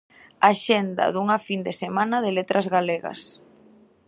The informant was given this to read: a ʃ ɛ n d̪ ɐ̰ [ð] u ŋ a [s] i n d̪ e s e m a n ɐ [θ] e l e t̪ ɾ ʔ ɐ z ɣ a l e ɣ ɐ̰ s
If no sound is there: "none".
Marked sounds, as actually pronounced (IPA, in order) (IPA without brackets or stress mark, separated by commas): ð, f, ð